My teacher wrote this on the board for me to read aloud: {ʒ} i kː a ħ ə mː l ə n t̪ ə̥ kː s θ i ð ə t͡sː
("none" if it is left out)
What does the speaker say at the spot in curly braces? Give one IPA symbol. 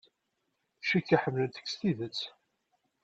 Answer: ʃ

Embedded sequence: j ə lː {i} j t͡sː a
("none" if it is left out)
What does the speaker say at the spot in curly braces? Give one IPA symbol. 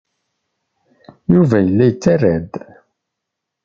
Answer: æ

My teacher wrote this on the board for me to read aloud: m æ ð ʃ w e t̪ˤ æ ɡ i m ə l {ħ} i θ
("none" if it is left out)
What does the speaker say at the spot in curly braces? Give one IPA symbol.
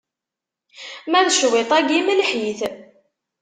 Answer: ħ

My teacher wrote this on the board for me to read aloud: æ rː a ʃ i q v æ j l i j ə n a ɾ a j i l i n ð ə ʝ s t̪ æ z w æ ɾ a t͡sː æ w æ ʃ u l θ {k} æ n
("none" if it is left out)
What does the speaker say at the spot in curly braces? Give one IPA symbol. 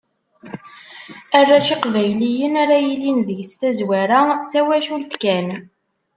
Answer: k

